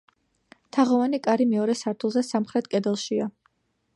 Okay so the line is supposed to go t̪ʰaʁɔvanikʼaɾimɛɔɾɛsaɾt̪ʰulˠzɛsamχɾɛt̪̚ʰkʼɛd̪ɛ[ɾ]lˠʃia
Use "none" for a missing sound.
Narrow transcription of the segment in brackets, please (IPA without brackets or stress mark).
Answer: none